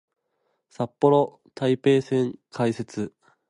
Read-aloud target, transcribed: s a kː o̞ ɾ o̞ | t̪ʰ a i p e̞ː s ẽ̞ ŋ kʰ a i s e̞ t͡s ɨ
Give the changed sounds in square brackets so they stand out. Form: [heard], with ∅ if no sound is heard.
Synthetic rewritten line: s a [pː] o̞ ɾ o̞ | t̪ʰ a i p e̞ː s ẽ̞ ŋ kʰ a i s e̞ t͡s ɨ

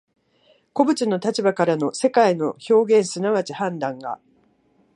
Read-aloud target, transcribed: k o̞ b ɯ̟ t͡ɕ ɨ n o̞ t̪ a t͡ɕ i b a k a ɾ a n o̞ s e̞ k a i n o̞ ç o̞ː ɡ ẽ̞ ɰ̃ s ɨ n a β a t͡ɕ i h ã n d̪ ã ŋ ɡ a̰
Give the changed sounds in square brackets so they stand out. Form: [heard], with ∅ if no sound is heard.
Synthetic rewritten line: k o̞ b ɯ̟ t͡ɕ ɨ n o̞ t̪ a t͡ɕ i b a k a ɾ a n o̞ s e̞ k a i n o̞ ç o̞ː ɡ ẽ̞ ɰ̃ s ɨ n a β a t͡ɕ i h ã n d̪ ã ŋ ɡ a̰

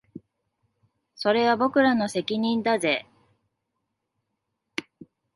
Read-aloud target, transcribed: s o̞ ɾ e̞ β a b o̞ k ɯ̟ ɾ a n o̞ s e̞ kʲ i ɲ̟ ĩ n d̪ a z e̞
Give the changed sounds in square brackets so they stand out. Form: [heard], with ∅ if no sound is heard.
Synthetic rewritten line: s o̞ ɾ e̞ β a b o̞ k ɯ̟ ɾ a n o̞ s e̞ kʲ i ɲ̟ ĩ n d̪ a z e̞

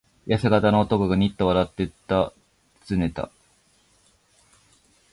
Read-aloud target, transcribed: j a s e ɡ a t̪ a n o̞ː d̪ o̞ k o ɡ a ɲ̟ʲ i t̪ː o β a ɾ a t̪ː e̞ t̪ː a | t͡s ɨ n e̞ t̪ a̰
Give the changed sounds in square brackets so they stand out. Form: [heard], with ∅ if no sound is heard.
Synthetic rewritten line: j a s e ɡ a t̪ a n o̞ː [t̪] o̞ k o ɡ a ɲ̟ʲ i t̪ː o β a ɾ a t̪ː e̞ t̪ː a | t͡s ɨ n e̞ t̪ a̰

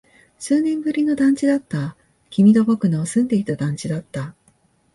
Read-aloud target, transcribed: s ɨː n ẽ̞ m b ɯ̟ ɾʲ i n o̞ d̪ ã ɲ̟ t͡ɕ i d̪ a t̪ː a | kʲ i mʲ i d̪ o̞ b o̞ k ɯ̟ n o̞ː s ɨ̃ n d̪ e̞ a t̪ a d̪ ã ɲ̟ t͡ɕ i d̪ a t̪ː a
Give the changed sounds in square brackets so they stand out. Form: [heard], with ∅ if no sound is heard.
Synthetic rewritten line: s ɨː n ẽ̞ m b ɯ̟ ɾʲ i n o̞ d̪ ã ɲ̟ t͡ɕ i d̪ a t̪ː a | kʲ i mʲ i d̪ o̞ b o̞ k ɯ̟ n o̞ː s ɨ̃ n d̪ e̞ [i] t̪ a d̪ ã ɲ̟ t͡ɕ i d̪ a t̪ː a

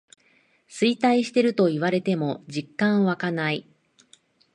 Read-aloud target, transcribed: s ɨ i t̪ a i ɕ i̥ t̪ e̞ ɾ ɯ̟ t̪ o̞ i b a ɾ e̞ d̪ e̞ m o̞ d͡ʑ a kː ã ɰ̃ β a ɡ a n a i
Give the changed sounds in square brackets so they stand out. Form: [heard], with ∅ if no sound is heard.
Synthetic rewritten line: s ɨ i t̪ a i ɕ i̥ t̪ e̞ ɾ ɯ̟ t̪ o̞ i [β] a ɾ e̞ [t̪] e̞ m o̞ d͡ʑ [i] kː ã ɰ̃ β a [k] a n a i

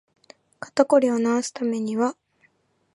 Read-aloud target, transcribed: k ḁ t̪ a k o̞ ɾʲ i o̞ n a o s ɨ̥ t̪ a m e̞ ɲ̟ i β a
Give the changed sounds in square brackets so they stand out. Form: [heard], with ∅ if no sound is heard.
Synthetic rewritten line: k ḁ t̪ a k o̞ ɾʲ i o̞ n a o s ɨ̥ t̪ a m e̞ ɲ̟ i β a

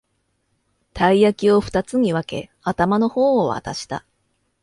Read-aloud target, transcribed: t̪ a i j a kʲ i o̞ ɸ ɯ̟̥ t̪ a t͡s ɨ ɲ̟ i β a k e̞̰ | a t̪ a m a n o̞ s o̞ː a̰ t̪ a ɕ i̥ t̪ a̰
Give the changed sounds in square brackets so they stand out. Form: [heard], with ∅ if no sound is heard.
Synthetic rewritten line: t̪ a i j a kʲ i o̞ ɸ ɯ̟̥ t̪ a t͡s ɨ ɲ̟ i β a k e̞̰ | a t̪ a m a n o̞ [h] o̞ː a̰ t̪ a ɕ i̥ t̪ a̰

